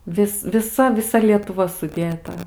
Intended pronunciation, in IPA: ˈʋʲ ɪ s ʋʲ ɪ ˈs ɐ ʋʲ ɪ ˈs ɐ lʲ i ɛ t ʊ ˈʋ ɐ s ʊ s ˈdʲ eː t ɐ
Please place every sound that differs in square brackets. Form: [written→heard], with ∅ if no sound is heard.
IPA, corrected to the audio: ˈʋʲ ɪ s ʋʲ ɪ ˈs ɐ ʋʲ ɪ ˈs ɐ lʲ i ɛ t ʊ ˈʋ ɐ s ʊ [s→∅] ˈdʲ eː t ɐ